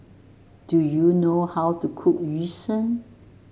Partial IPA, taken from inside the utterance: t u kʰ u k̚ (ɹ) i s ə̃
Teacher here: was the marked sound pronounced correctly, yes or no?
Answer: yes